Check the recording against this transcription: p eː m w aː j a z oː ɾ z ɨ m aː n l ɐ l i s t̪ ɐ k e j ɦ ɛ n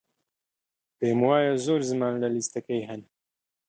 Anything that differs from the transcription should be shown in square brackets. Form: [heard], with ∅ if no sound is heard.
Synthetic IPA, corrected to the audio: p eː m w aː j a z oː ɾ z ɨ m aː n l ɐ l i s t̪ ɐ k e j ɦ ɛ n